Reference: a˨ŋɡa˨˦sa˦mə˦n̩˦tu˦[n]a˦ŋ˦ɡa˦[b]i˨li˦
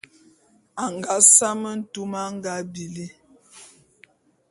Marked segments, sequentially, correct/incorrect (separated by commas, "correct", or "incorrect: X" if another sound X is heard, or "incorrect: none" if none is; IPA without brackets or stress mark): incorrect: m, correct